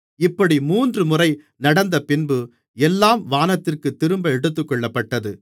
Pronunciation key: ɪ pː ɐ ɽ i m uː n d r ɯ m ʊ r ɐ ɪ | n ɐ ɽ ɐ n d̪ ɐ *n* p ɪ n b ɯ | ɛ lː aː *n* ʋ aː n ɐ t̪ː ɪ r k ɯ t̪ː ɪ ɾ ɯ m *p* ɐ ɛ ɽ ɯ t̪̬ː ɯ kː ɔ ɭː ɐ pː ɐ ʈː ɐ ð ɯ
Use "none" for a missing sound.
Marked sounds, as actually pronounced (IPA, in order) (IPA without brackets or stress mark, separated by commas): none, m, b